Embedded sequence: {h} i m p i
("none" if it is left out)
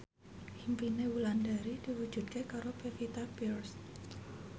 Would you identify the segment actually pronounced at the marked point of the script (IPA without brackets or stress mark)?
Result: h